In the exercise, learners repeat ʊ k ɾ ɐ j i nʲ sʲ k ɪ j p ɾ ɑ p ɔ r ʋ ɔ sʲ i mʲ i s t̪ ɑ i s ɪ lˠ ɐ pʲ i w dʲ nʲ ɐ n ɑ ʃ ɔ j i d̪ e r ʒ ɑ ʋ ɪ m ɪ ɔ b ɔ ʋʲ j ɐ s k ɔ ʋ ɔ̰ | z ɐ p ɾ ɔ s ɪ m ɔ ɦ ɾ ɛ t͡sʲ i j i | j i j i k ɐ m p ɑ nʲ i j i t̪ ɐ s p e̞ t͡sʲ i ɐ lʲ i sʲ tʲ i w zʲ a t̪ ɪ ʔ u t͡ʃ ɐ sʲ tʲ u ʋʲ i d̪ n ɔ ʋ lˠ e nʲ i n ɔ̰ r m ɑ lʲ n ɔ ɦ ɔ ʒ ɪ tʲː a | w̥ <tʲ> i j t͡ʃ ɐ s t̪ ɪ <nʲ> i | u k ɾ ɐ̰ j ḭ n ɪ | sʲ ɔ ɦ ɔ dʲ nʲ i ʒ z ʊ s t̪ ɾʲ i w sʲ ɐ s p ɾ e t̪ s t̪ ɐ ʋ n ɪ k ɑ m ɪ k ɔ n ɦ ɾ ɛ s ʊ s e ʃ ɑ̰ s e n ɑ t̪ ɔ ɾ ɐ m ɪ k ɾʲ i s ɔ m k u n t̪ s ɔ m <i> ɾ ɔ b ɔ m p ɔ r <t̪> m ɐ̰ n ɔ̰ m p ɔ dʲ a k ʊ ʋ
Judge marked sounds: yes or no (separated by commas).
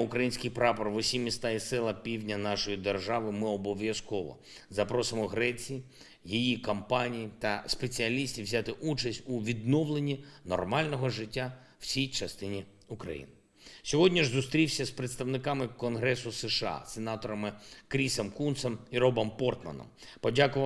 no, yes, yes, yes